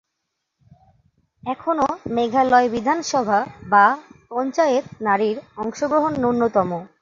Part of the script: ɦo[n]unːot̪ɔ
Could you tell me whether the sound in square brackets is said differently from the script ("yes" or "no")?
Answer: yes